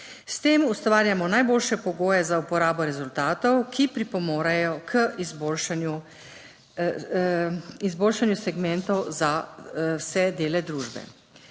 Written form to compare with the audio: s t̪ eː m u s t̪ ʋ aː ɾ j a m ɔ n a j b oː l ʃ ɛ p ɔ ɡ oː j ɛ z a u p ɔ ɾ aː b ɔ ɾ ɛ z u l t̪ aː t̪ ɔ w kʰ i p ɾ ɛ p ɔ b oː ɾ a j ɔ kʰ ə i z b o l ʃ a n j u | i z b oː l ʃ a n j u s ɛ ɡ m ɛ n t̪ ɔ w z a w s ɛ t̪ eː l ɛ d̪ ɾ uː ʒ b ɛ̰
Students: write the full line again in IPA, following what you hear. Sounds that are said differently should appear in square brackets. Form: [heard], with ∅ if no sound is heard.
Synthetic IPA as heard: s t̪ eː m u s t̪ ʋ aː ɾ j a m ɔ n a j b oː l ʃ ɛ p ɔ ɡ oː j ɛ z a u p ɔ ɾ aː b ɔ ɾ ɛ z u l t̪ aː t̪ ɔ w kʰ i p ɾ [i] p ɔ [m] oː ɾ a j ɔ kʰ ə i z b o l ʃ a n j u | i z b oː l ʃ a n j u s ɛ ɡ m ɛ n t̪ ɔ w z a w s ɛ [d̪] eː l ɛ d̪ ɾ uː ʒ b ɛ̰